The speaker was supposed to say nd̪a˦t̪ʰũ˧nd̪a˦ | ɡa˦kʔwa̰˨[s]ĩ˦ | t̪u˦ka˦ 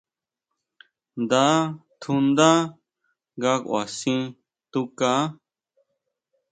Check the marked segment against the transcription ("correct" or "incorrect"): correct